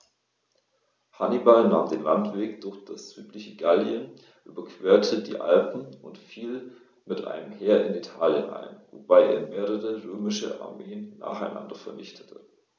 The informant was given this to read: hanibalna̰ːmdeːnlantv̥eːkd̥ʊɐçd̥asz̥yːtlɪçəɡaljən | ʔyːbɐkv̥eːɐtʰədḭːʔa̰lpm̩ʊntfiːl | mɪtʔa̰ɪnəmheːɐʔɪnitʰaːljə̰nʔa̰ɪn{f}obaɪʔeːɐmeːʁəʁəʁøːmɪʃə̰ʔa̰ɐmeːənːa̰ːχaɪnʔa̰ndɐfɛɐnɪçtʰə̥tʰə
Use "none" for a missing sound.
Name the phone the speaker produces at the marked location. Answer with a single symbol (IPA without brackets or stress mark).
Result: v